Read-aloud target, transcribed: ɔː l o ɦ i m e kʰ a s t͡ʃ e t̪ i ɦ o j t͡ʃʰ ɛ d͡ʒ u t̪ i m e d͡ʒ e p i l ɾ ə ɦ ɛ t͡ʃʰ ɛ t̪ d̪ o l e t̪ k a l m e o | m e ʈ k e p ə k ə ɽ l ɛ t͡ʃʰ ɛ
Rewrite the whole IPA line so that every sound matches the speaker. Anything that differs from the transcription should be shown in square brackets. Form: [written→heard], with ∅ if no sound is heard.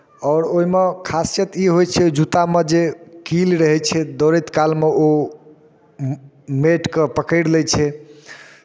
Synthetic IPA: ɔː [l→ɾ] o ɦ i m e kʰ a s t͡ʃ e t̪ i ɦ o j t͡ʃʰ ɛ d͡ʒ u t̪ [i→a] m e d͡ʒ e [p→k] i l ɾ ə ɦ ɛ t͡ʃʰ ɛ [t̪→∅] d̪ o [l→ɾ] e t̪ k a l m e o | m e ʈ k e p ə k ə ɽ l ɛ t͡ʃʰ ɛ